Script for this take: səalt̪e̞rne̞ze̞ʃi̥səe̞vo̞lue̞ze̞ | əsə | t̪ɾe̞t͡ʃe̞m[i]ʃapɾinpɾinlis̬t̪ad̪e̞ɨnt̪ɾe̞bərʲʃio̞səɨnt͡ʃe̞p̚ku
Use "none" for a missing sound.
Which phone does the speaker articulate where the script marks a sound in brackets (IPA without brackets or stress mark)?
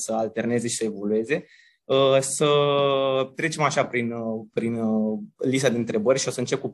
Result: a